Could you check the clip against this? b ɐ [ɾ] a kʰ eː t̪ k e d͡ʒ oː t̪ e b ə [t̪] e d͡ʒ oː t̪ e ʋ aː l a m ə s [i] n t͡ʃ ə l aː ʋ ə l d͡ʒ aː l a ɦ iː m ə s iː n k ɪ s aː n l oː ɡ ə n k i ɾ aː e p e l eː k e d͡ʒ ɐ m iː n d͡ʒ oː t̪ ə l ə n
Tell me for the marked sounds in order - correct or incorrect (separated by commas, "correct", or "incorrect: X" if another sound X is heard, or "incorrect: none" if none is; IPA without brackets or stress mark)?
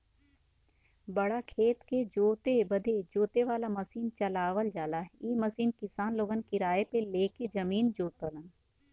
incorrect: ɽ, incorrect: d̪, incorrect: iː